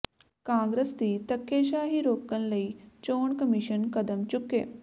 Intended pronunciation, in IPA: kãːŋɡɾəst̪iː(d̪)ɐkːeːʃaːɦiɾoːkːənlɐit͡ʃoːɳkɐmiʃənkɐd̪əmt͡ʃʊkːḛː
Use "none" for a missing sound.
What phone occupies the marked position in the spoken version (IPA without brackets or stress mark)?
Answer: t̪